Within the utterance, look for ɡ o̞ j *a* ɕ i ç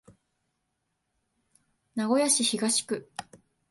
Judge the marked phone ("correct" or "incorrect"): correct